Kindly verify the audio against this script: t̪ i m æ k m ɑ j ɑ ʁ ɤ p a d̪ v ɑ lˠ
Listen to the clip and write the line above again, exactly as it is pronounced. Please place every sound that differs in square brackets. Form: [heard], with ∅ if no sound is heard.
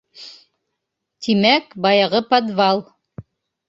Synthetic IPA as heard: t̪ i m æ k [b] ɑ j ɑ ʁ ɤ p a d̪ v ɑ lˠ

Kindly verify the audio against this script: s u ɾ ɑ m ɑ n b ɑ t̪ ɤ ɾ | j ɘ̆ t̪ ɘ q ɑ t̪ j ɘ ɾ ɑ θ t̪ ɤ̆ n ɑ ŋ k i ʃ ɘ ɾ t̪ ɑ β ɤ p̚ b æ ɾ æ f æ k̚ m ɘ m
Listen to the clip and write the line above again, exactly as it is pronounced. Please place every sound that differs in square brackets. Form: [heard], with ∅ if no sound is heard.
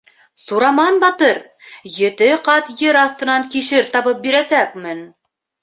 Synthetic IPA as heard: s u ɾ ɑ m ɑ n b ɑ t̪ ɤ ɾ | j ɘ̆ t̪ ɘ q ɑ t̪ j ɘ ɾ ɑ θ t̪ ɤ̆ n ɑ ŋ k i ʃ ɘ ɾ t̪ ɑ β ɤ p̚ b [i] ɾ æ [s] æ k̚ m ɘ [n]

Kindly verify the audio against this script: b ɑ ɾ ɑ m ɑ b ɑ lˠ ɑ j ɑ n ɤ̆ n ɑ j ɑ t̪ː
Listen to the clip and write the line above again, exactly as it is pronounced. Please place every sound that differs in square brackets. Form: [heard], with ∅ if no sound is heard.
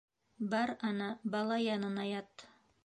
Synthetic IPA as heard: b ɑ ɾ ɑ [n] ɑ b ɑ lˠ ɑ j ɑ n ɤ̆ n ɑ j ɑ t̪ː

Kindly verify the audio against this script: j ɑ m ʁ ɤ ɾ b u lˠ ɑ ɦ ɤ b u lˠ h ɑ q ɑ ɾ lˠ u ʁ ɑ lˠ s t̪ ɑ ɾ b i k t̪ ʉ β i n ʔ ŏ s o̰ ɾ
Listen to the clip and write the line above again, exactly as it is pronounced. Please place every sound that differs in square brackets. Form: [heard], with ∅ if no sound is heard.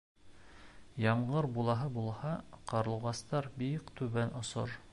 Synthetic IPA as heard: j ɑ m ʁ ɤ ɾ b u lˠ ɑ ɦ ɤ b u lˠ h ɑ q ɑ ɾ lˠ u ʁ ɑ [∅] s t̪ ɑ ɾ b i k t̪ ʉ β [æ] n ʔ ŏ s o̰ ɾ

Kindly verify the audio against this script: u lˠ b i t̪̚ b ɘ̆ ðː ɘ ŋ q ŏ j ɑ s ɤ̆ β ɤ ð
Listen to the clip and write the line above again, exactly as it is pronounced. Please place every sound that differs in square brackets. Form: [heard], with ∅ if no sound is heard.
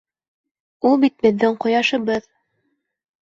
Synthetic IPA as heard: u lˠ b i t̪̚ b ɘ̆ ðː ɘ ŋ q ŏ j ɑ [ʃ] ɤ̆ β ɤ ð

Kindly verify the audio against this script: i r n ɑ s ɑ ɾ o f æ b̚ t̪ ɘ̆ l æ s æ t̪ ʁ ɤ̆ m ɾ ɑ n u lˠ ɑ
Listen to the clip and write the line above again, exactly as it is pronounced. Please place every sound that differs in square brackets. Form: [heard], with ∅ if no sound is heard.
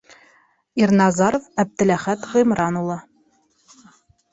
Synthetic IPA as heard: i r n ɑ [z] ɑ ɾ o f æ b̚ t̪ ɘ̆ l æ [χ] æ t̪ ʁ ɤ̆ m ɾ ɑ n u lˠ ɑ

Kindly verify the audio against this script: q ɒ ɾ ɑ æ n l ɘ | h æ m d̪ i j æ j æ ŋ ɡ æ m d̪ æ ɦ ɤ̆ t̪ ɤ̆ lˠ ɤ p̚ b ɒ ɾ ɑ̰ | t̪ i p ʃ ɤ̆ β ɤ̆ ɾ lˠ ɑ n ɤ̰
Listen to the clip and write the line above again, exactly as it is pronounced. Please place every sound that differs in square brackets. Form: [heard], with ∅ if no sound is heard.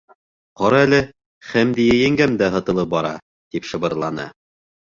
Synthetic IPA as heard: q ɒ ɾ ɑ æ [∅] l ɘ | [χ] æ m d̪ i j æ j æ ŋ ɡ æ m d̪ æ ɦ ɤ̆ t̪ ɤ̆ lˠ ɤ p̚ b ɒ ɾ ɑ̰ | t̪ i p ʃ ɤ̆ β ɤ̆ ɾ lˠ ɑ n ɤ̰

